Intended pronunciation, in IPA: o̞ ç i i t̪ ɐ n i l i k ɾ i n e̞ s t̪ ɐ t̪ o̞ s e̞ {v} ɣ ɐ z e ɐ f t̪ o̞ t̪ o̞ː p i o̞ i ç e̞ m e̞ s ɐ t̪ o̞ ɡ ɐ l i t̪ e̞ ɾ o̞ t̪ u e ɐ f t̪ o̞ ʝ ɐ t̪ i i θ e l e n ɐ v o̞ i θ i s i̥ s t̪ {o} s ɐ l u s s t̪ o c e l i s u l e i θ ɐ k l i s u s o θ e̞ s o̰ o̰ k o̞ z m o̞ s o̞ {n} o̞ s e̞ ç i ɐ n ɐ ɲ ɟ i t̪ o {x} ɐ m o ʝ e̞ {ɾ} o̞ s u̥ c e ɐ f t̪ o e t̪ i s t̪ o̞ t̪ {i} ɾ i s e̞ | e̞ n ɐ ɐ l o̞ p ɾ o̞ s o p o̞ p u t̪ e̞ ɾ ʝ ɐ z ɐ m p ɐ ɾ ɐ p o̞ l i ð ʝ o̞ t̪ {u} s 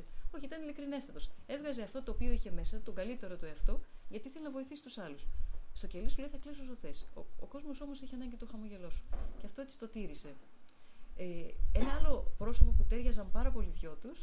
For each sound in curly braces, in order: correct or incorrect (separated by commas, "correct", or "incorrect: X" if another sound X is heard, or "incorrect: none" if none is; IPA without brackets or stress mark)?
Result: correct, incorrect: u, incorrect: m, correct, incorrect: l, correct, correct